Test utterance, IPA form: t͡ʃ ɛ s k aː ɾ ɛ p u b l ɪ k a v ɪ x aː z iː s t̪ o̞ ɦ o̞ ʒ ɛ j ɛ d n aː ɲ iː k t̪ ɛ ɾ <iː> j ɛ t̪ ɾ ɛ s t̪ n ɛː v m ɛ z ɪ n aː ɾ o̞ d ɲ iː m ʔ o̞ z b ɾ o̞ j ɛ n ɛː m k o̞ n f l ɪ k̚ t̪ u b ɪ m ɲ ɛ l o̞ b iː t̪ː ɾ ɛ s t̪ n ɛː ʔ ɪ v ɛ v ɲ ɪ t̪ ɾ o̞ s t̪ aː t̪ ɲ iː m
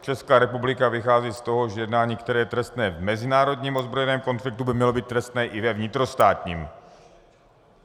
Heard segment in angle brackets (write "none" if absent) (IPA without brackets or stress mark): ɛː